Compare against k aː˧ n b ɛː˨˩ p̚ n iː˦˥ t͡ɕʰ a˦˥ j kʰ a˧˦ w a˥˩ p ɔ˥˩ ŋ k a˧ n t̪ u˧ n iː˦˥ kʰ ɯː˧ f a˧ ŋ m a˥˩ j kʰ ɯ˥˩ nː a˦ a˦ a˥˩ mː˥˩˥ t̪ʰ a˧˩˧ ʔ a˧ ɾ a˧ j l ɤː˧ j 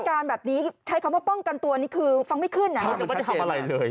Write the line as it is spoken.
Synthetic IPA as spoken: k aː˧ n b ɛː˨˩ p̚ n iː˦˥ t͡ɕʰ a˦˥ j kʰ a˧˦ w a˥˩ p ɔ˥˩ ŋ k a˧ n t̪ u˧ n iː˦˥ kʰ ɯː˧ f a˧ ŋ m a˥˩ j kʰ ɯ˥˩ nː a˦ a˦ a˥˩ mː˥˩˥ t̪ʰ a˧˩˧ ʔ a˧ ɾ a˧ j l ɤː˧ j